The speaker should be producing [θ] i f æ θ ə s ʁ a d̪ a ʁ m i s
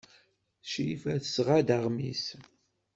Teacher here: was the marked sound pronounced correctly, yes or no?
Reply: no